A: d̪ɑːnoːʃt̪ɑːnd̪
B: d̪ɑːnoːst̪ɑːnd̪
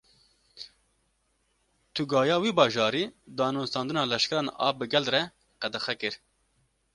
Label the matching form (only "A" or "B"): B